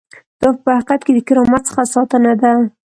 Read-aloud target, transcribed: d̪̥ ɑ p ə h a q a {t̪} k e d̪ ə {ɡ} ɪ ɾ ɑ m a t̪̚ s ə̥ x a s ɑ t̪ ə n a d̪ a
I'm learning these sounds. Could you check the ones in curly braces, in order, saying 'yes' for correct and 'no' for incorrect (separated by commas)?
yes, no